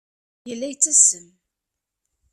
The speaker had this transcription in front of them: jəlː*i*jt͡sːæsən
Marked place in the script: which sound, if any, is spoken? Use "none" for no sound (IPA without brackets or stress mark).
æ